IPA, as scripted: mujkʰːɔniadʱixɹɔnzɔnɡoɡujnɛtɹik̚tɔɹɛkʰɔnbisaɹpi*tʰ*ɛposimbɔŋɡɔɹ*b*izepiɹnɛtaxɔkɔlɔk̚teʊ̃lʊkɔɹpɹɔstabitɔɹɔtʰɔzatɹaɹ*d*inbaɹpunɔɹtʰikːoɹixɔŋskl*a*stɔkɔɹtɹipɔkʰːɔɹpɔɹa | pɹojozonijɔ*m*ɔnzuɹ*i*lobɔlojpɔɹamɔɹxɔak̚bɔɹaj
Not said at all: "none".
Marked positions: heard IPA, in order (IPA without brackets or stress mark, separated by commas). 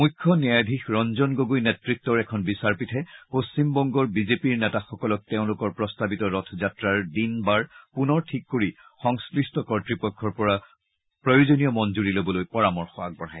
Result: tʰ, b, d, i, m, i